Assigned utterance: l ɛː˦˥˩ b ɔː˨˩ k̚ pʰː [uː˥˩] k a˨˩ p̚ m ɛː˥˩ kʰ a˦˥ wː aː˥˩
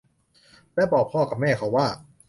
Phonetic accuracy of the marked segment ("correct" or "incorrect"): incorrect